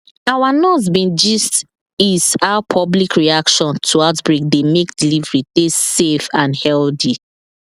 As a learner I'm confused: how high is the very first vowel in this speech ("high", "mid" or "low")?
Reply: low